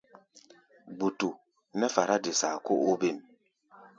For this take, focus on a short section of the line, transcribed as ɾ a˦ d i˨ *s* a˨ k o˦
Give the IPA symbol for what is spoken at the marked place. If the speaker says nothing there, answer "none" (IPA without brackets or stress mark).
s